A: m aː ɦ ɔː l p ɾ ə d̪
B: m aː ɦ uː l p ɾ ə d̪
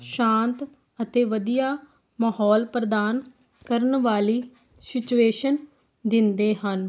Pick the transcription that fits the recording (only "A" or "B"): A